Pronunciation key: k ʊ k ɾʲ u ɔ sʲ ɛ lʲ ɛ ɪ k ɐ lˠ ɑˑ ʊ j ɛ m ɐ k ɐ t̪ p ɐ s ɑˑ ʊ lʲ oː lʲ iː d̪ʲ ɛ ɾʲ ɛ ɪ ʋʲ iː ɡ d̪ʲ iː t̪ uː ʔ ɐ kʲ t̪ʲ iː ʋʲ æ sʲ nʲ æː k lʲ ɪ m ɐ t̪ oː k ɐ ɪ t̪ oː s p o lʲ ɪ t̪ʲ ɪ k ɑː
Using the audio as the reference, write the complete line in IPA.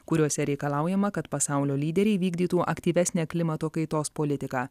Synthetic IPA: k ʊ ɾʲ u ɔ sʲ ɛ ɾʲ ɛ ɪ k ɐ lˠ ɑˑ ʊ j ɛ m ɐ k ɐ t̪ p ɐ s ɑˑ ʊ lʲ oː lʲ iː d̪ʲ ɛ ɾʲ ɛ ɪ ʋʲ iː ɡ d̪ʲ iː t̪ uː ʔ ɐ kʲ t̪ʲ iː ʋʲ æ sʲ nʲ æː k lʲ ɪ m ɐ t̪ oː k ɐ ɪ t̪ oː s p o lʲ ɪ t̪ʲ ɪ k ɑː